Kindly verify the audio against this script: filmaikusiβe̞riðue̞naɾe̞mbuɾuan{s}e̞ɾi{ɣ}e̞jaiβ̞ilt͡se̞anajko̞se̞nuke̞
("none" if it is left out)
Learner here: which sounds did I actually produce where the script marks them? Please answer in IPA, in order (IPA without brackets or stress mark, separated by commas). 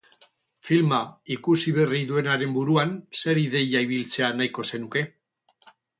s, ð